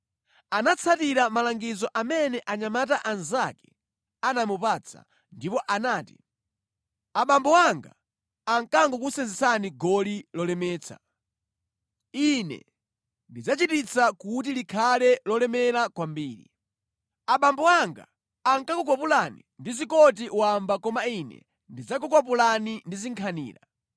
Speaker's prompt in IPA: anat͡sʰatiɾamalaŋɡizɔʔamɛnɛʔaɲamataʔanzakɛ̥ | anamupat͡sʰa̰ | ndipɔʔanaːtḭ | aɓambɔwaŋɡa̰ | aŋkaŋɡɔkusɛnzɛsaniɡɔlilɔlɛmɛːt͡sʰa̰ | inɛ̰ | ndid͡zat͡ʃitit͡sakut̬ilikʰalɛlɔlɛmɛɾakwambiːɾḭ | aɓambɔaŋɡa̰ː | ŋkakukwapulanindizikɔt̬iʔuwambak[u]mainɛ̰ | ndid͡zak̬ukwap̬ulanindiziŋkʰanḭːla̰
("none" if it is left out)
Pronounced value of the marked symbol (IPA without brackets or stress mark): ɔ